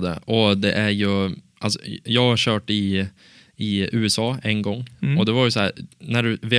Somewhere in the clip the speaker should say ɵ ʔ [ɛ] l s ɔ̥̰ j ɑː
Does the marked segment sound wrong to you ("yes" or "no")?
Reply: yes